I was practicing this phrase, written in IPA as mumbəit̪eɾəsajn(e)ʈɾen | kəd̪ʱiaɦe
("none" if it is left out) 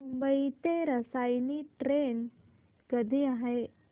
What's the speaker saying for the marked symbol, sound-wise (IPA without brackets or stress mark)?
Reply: i